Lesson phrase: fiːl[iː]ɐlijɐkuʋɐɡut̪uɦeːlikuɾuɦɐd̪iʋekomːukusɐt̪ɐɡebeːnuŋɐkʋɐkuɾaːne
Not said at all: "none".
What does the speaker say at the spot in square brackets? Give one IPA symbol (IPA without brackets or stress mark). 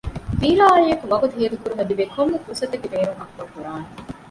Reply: aː